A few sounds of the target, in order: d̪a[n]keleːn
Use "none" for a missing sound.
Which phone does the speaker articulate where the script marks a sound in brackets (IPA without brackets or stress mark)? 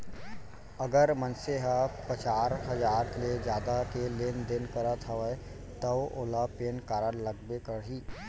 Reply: none